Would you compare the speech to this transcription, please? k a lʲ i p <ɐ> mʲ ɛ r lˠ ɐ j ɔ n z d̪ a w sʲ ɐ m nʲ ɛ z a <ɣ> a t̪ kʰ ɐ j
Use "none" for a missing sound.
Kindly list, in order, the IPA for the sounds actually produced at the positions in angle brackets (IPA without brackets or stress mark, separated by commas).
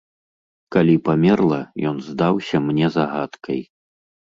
a, ɣ